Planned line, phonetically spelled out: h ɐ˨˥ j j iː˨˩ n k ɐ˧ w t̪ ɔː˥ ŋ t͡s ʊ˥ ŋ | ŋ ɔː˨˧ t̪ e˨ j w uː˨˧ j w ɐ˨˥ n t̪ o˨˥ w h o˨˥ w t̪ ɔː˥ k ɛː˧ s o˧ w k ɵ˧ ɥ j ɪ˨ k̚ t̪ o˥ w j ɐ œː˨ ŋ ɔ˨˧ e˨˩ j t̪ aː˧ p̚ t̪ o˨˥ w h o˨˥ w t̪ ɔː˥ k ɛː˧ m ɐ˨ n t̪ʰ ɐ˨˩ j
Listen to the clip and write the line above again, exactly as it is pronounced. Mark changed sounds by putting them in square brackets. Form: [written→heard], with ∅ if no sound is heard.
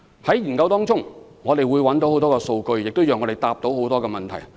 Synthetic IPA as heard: h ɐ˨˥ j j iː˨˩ n k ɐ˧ w t̪ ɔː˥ ŋ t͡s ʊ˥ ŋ | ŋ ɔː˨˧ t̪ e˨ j w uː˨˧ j w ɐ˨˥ n t̪ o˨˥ w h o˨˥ w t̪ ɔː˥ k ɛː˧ s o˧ w k ɵ˧ ɥ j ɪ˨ k̚ t̪ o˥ w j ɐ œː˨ ŋ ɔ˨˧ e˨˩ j t̪ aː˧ p̚ t̪ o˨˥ w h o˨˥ w t̪ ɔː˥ k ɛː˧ m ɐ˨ n t̪ʰ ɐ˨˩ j